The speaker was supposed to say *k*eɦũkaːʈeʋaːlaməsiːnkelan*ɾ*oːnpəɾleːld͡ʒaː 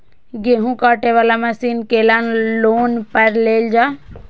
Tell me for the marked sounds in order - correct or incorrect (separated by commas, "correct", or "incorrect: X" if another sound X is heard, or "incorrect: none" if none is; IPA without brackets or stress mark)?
incorrect: ɡ, incorrect: l